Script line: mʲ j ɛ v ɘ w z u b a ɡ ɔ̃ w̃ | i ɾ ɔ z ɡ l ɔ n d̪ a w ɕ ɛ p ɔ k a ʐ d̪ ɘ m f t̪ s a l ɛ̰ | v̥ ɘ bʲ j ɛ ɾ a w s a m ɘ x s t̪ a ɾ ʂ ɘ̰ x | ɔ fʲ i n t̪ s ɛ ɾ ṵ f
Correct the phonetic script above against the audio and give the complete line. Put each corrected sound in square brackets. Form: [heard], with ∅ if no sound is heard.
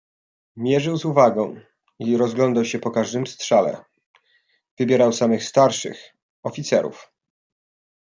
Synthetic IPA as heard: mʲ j ɛ [ʐ] ɘ w z u [v] a ɡ ɔ̃ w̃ | i ɾ ɔ z ɡ l ɔ n d̪ a w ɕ ɛ p ɔ k a ʐ d̪ ɘ m [s] t̪ [ʂ] a l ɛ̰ | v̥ ɘ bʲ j ɛ ɾ a w s a m ɘ x s t̪ a ɾ ʂ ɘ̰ x | ɔ fʲ i [∅] t̪ s ɛ ɾ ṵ f